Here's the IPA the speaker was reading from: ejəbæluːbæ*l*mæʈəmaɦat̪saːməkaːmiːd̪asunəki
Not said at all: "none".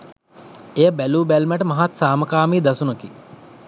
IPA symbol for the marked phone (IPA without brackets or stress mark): l